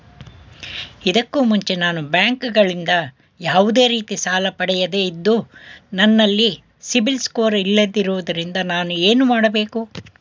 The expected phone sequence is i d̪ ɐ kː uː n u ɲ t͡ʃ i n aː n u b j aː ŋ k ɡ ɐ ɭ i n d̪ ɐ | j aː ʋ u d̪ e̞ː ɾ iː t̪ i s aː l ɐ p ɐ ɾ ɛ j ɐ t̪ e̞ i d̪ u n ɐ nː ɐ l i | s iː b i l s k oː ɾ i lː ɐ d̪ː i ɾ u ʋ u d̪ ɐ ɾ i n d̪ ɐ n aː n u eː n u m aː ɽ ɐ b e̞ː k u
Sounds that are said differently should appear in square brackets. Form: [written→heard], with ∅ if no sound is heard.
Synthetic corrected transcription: i d̪ ɐ kː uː [n→m] u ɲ t͡ʃ [i→e] n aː n u b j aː ŋ k ɡ ɐ ɭ i n d̪ ɐ | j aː ʋ u d̪ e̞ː ɾ iː t̪ i s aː l ɐ p ɐ [ɾ→ɽ] ɛ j ɐ [t̪→d̪] e̞ i [d̪→d̪ː] u n ɐ nː ɐ [l→lː] i | s [iː→i] b i l s k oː ɾ i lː ɐ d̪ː i ɾ u ʋ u d̪ ɐ ɾ i n d̪ ɐ n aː n u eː n u m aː ɽ ɐ b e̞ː k u